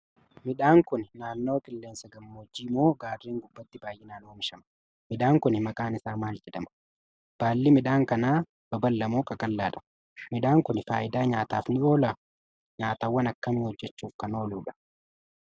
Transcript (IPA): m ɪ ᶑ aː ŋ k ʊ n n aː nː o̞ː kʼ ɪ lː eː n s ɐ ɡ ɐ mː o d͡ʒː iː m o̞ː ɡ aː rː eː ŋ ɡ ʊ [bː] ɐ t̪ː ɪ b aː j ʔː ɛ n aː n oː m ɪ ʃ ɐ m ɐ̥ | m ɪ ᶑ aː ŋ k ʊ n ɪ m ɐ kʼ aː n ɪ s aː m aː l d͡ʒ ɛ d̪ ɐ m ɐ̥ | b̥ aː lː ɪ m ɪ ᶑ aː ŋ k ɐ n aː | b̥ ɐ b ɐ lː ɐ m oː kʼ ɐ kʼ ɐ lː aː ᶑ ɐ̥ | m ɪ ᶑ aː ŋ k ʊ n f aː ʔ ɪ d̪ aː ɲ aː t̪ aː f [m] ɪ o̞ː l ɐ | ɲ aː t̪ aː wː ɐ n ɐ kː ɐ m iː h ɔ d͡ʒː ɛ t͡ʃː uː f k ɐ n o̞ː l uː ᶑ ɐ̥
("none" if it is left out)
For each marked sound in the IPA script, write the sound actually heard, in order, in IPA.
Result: bː, n

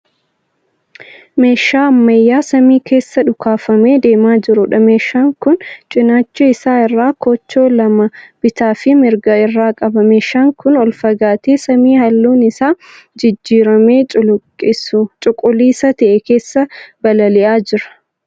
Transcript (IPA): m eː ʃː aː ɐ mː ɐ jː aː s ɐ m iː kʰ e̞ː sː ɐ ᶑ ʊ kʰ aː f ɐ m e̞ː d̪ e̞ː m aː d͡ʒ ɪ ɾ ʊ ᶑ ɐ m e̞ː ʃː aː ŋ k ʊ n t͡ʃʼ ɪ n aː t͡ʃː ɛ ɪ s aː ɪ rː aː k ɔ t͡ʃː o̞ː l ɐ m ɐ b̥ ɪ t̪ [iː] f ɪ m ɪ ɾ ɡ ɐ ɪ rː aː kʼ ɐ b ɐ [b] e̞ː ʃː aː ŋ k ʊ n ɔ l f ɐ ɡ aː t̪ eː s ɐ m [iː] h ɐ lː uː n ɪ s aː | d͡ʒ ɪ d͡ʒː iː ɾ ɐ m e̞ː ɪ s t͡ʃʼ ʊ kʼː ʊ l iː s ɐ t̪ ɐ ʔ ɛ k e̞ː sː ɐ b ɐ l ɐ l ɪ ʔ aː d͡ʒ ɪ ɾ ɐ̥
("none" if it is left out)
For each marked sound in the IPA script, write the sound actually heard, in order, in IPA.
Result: aː, m, iː

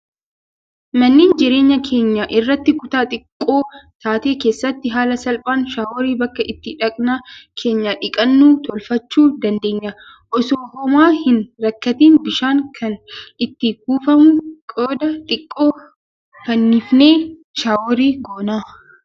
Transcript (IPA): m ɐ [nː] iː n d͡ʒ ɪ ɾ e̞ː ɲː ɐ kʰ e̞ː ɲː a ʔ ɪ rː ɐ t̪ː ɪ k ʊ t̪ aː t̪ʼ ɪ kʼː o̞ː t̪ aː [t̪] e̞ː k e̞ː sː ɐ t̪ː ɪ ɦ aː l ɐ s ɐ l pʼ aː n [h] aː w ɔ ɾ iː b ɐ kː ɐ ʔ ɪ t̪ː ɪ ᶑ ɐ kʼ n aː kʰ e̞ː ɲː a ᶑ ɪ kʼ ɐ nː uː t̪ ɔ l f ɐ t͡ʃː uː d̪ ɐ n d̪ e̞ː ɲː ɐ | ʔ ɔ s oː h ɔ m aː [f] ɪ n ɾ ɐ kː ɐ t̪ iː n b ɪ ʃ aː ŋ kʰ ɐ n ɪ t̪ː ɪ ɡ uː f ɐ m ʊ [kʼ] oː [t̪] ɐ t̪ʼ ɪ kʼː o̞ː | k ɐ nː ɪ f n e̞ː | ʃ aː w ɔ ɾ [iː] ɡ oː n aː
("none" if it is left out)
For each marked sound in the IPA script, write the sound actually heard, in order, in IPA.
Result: nː, t̪, ʃ, h, kʼ, d̪, iː

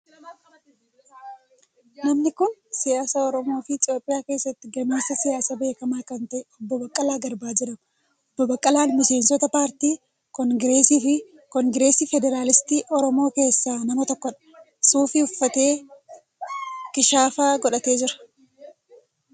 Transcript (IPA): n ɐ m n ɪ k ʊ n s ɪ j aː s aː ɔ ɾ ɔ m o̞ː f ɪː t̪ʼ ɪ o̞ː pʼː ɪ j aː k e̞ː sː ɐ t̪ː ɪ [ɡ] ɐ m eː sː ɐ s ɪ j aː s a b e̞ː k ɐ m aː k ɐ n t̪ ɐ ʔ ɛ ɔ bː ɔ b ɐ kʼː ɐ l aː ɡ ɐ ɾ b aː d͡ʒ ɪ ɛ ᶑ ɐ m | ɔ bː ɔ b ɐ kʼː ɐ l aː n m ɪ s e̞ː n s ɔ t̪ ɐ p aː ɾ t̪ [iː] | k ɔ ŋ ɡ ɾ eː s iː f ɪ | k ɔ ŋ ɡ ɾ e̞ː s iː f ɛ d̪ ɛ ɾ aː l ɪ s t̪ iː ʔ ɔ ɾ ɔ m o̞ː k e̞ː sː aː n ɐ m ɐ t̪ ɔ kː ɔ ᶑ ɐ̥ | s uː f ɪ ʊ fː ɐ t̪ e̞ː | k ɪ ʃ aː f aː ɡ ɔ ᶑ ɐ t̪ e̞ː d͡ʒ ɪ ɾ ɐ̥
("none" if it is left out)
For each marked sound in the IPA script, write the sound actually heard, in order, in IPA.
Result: ɡ, iː

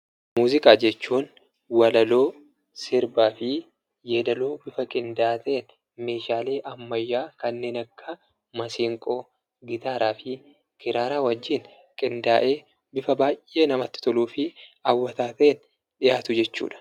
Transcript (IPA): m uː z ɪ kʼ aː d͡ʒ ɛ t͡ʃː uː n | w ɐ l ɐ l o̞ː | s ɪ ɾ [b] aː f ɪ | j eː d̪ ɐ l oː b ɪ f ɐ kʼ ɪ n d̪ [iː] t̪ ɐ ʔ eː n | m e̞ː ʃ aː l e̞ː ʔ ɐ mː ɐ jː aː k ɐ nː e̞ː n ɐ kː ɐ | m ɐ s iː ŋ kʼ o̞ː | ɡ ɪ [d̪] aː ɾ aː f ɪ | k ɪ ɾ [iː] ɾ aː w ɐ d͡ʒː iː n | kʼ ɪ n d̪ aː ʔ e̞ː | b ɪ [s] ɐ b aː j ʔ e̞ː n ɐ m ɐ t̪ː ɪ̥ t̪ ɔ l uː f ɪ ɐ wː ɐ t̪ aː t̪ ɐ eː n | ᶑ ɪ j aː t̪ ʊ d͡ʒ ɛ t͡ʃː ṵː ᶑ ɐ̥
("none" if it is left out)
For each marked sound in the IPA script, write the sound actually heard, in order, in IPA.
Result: b, aː, t̪, aː, f

